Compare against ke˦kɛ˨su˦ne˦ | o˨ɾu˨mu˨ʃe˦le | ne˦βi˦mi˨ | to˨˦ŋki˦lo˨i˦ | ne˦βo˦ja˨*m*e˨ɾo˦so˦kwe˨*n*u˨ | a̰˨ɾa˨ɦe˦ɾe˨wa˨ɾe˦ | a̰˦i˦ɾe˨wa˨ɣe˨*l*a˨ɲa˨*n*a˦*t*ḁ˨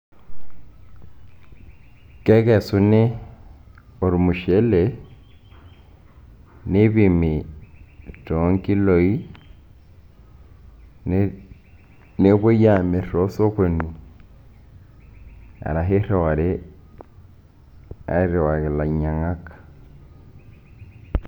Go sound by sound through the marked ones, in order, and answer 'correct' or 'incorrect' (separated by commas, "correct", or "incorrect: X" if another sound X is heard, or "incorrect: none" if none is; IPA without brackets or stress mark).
correct, correct, correct, incorrect: ŋ, incorrect: k